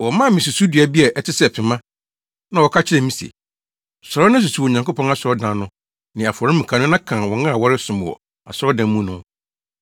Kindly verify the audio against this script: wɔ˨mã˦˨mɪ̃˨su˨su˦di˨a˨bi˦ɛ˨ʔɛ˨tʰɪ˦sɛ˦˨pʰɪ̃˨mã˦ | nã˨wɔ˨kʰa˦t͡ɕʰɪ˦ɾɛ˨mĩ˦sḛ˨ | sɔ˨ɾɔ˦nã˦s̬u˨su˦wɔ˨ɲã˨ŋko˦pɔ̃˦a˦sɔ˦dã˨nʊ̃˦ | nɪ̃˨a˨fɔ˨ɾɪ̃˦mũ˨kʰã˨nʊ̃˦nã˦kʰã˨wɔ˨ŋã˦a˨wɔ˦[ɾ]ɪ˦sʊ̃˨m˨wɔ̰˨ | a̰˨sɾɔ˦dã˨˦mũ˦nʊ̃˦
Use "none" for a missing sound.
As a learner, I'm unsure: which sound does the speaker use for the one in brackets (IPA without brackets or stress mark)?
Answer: ɾ